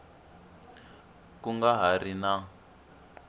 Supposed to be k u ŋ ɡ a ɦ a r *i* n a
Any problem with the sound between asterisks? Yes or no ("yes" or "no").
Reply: no